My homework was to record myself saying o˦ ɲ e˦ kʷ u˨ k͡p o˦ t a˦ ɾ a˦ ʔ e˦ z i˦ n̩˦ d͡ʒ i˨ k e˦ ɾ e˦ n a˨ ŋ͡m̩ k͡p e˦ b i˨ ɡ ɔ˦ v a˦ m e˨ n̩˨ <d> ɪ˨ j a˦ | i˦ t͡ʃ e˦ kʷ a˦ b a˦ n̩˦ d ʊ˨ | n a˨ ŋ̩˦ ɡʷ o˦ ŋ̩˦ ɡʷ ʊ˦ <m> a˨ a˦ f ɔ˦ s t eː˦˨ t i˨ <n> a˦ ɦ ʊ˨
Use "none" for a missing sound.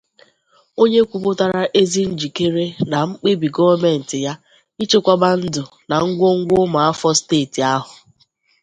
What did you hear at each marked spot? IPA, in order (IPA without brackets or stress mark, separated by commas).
t, m, none